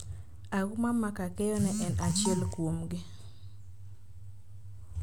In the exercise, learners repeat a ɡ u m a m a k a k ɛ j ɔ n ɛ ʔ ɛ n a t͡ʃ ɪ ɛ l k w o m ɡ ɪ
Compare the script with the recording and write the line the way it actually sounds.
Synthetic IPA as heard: a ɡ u m a m a k a k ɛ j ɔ n ɛ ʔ ɛ n a t͡ʃ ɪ ɛ l k w o m ɡ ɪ